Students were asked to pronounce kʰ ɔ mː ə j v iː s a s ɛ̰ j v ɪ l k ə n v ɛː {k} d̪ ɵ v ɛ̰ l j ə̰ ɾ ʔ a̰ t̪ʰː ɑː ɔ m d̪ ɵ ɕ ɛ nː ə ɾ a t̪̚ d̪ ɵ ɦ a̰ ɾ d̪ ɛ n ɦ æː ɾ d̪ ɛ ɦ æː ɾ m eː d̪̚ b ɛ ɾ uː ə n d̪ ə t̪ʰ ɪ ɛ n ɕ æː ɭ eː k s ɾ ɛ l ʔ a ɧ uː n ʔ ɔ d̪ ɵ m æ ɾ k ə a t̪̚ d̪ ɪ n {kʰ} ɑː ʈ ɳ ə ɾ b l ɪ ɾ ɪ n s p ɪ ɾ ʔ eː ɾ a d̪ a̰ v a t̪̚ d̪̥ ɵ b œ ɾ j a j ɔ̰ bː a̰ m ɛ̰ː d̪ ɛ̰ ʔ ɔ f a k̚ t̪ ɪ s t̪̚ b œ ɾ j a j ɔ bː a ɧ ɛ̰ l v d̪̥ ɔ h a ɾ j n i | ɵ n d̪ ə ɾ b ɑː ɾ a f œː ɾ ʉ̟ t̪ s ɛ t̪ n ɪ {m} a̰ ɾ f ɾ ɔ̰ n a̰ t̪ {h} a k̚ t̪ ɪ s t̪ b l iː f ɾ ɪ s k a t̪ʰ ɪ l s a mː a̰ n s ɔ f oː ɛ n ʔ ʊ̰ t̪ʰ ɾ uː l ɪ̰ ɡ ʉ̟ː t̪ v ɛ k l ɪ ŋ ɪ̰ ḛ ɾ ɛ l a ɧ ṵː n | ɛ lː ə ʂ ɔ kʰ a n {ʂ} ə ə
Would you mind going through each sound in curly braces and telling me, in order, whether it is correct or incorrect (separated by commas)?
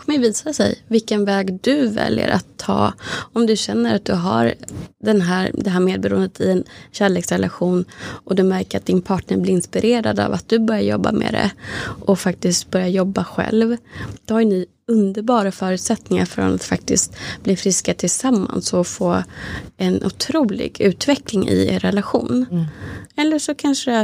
incorrect, incorrect, incorrect, incorrect, correct